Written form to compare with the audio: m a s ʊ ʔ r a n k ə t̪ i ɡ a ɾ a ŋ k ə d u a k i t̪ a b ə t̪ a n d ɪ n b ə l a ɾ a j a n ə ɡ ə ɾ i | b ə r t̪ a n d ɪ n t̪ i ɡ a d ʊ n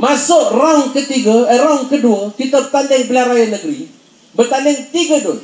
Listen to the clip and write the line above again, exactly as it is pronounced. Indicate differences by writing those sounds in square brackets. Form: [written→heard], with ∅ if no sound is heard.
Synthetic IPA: m a s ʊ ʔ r a [n→ŋ] k ə t̪ i ɡ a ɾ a ŋ k ə d u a k i t̪ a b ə t̪ a n d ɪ [n→ŋ] b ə l a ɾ a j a n ə ɡ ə ɾ i | b ə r t̪ a n d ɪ [n→ŋ] t̪ i ɡ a d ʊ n